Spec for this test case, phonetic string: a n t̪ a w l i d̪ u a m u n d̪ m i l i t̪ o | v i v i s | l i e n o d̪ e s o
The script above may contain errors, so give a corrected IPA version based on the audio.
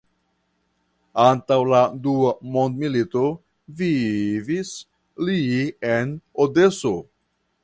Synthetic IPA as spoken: a n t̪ a w l a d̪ u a m o n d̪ m i l i t̪ o | v i v i s | l i e n o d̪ e s o